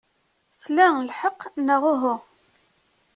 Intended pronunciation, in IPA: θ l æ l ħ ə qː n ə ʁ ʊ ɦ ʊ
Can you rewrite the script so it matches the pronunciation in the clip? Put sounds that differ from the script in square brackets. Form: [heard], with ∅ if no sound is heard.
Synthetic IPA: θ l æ l ħ ə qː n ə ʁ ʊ ɦ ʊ